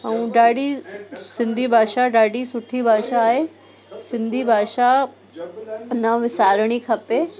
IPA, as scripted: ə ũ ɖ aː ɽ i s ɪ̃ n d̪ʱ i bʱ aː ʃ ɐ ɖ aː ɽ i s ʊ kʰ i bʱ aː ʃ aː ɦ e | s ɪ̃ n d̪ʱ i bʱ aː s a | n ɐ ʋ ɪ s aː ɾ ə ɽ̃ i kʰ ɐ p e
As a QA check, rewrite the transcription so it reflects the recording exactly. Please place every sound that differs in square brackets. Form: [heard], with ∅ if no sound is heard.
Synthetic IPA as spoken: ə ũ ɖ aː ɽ i s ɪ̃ n d̪ʱ i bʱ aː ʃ [a] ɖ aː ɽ i s ʊ [ʈʰ] i bʱ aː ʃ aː ɦ e | s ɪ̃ n d̪ʱ i bʱ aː [ʃ] a | n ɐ ʋ ɪ s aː ɾ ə ɽ̃ i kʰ ɐ p e